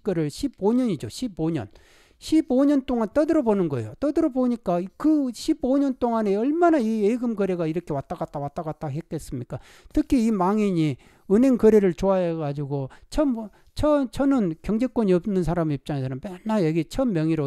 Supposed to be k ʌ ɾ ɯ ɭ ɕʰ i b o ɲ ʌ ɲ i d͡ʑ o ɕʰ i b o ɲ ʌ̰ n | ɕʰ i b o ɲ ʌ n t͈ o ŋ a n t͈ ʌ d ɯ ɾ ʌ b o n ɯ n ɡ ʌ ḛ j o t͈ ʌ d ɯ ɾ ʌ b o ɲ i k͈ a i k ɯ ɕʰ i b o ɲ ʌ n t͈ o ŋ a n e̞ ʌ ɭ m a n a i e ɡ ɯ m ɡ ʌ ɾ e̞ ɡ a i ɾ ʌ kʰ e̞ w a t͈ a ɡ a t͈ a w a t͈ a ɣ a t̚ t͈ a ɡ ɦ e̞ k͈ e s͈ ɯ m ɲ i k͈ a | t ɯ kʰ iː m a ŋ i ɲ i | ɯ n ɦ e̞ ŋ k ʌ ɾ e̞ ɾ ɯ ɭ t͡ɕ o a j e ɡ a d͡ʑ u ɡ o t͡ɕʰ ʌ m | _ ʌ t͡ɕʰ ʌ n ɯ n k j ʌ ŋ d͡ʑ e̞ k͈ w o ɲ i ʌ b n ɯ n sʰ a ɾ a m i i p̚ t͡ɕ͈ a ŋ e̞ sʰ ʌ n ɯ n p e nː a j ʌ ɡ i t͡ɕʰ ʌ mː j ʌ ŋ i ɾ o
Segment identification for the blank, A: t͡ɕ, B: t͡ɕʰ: B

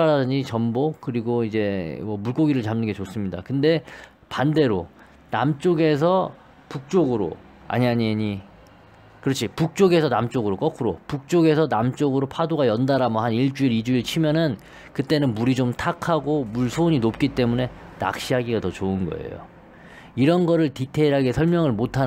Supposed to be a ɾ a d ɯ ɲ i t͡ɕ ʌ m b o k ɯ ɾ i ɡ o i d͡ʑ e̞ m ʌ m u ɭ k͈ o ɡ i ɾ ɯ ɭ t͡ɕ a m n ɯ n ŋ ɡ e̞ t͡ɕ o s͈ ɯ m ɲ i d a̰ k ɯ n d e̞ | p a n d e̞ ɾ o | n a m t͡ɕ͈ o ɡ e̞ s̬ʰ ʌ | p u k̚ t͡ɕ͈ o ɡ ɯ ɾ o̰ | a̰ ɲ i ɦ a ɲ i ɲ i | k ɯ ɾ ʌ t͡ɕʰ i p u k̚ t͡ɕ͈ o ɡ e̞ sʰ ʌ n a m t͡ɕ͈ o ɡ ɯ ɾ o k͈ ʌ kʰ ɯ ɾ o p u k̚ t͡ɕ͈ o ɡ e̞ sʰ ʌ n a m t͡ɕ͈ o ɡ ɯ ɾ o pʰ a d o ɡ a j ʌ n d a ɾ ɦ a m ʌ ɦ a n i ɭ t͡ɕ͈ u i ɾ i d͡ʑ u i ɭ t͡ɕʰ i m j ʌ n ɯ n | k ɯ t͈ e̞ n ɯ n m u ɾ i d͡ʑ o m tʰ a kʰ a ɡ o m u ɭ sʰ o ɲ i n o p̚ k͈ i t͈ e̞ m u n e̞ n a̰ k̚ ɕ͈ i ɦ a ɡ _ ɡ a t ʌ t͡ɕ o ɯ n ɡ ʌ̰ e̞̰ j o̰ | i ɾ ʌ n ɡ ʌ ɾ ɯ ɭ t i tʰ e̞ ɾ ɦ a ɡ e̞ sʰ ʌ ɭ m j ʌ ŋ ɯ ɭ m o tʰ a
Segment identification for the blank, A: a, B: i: B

